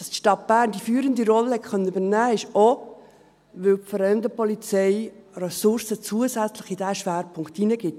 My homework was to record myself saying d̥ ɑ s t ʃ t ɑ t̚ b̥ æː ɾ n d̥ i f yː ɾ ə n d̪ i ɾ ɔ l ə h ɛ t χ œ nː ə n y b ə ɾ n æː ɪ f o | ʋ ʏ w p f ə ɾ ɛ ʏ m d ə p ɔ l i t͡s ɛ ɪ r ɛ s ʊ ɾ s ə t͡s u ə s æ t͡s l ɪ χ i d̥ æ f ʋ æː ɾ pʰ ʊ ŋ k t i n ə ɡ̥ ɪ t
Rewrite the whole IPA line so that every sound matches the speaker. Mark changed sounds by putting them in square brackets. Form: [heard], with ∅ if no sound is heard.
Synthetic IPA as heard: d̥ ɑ s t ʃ t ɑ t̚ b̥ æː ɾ n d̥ i f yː ɾ ə n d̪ i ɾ ɔ l ə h ɛ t χ œ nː ə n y b ə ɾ n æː ɪ [ʃ] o | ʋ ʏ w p f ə ɾ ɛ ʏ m d ə p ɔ l i t͡s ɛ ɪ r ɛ s ʊ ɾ s ə t͡s u ə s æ t͡s l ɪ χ i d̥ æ [ʃ] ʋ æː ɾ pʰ ʊ ŋ k t i n ə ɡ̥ ɪ t